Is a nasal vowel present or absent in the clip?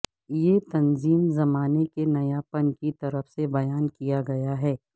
absent